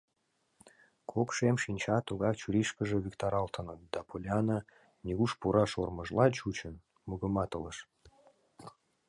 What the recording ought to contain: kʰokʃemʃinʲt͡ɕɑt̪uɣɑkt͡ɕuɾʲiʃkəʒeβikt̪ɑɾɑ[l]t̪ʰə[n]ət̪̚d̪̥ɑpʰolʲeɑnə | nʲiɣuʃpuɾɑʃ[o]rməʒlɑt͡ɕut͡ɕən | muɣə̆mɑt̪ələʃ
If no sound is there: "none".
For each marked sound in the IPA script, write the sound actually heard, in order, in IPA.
l, n, o

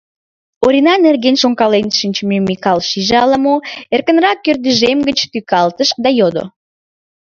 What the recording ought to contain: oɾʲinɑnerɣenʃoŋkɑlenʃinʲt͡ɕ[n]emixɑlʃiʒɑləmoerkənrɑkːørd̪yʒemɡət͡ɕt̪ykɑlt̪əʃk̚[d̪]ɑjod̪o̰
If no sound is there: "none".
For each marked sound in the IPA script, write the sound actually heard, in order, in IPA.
m, d̪

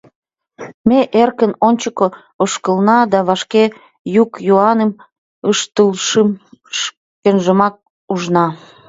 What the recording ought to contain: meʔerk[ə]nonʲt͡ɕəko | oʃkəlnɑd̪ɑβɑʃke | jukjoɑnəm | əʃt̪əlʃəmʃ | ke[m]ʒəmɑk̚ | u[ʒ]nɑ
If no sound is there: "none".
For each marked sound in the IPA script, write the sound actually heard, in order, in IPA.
ə, n, ʒ

